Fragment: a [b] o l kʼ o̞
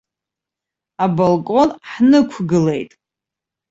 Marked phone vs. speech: correct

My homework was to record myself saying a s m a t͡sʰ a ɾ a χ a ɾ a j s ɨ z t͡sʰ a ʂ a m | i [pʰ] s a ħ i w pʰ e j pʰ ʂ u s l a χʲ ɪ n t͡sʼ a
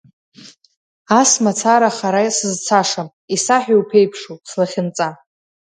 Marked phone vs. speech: incorrect: none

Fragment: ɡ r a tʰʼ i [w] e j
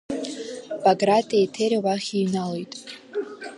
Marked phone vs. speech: incorrect: none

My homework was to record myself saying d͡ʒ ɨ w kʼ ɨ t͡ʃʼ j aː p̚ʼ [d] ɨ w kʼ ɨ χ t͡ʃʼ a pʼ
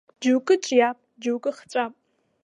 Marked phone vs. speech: incorrect: d͡ʒ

